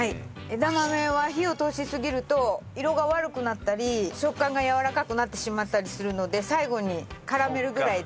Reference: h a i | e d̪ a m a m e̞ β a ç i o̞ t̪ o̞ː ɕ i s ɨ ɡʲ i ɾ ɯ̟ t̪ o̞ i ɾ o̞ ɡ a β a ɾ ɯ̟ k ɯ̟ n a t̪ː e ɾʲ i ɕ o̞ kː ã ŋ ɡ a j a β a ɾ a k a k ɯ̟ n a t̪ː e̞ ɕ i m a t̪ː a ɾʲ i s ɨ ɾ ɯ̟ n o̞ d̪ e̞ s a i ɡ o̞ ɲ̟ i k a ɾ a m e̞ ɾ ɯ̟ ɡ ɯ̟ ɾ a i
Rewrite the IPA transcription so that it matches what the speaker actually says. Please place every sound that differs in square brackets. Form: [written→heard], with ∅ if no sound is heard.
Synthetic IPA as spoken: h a i | e d̪ a m a m e̞ β a ç i o̞ t̪ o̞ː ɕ i s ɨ ɡʲ i ɾ ɯ̟ t̪ o̞ i ɾ o̞ ɡ a β a ɾ ɯ̟ k ɯ̟ n a t̪ː [e→a] ɾʲ i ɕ o̞ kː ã ŋ ɡ a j a β a ɾ a k a k ɯ̟ n a t̪ː e̞ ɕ i m a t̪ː a ɾʲ i s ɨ ɾ ɯ̟ n o̞ d̪ e̞ s a i ɡ o̞ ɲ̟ i k a ɾ a m e̞ ɾ ɯ̟ ɡ ɯ̟ ɾ a i